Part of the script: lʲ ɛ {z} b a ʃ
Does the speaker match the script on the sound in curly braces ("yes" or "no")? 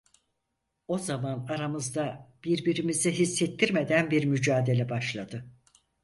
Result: no